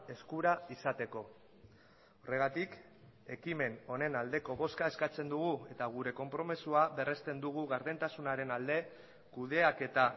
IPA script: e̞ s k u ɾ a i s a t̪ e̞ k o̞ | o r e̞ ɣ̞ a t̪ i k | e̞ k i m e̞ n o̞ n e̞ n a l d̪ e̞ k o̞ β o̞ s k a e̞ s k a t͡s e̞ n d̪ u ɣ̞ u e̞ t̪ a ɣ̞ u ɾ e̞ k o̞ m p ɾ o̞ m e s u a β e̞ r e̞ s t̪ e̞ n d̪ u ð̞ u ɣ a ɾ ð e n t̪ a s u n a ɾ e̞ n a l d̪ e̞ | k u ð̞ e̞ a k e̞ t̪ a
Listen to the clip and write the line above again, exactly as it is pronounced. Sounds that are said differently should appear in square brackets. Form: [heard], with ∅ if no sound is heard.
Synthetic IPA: e̞ s k u ɾ a i s a t̪ e̞ k o̞ | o r e̞ ɣ̞ a t̪ i k | e̞ k i m e̞ n o̞ n e̞ n a l d̪ e̞ k o̞ β o̞ s k a e̞ s k a t͡s e̞ n d̪ u ɣ̞ u e̞ t̪ a ɣ̞ u ɾ e̞ k o̞ m p ɾ o̞ m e s u a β e̞ r e̞ s t̪ e̞ n d̪ u [ɣ̞] u ɣ a ɾ ð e n t̪ a s u n a ɾ e̞ n a l d̪ e̞ | k u ð̞ e̞ a k e̞ t̪ a